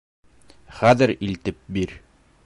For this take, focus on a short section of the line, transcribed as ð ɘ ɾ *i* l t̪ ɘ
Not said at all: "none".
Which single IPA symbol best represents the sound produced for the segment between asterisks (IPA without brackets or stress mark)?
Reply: i